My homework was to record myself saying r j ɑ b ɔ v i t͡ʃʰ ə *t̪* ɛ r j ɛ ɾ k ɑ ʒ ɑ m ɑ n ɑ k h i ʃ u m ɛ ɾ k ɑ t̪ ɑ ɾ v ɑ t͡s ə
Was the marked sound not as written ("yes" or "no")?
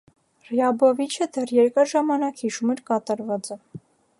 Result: yes